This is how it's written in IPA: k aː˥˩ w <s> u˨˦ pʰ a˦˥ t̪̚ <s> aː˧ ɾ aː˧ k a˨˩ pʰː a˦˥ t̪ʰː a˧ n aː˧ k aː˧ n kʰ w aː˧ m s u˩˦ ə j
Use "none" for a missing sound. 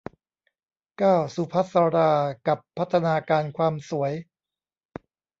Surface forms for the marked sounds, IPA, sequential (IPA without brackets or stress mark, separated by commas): s, s